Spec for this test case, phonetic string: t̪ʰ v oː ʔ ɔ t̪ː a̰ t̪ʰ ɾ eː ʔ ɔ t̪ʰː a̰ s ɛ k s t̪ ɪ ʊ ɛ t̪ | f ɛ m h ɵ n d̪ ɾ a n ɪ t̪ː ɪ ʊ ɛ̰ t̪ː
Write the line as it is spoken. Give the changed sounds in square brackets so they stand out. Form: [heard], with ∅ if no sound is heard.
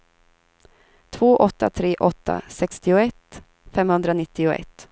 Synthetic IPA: t̪ʰ v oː ʔ ɔ t̪ː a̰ t̪ʰ ɾ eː ʔ ɔ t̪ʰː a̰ s ɛ k s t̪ ɪ ʊ ɛ t̪ | f ɛ m h ɵ n d̪ ɾ a n ɪ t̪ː ɪ ʊ ɛ̰ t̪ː